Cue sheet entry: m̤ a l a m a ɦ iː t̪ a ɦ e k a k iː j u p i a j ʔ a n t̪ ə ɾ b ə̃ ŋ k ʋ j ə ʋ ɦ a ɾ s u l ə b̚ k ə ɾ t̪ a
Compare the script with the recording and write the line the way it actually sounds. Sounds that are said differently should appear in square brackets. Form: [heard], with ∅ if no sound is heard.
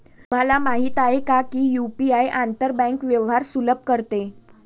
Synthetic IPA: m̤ a l a m a ɦ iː t̪ a ɦ e k a k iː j u p i a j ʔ a n t̪ ə ɾ b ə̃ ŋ k ʋ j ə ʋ ɦ a ɾ s u l ə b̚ k ə ɾ t̪ [e]